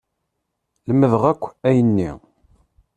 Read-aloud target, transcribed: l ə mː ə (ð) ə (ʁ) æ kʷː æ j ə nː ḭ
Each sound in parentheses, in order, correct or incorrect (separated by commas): correct, correct